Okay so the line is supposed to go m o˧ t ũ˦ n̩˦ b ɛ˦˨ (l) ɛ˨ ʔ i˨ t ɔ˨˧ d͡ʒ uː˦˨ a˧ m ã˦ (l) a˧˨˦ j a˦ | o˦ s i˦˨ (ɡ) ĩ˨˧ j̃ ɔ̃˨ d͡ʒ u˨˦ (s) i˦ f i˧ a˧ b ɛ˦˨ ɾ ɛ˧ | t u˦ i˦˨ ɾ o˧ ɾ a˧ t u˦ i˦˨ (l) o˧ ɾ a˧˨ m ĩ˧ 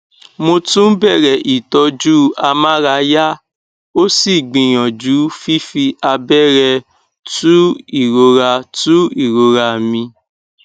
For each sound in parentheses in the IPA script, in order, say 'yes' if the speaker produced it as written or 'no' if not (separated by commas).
no, no, no, no, no